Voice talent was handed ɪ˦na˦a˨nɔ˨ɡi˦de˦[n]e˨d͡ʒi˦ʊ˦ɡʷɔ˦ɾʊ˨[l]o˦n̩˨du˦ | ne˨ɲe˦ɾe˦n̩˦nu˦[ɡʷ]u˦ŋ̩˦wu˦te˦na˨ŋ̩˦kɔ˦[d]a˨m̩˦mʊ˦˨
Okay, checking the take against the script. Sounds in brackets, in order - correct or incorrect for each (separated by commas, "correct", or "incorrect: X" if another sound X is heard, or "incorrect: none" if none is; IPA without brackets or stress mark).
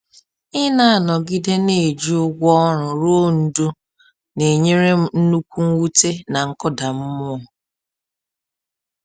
correct, incorrect: ɾ, incorrect: kʷ, correct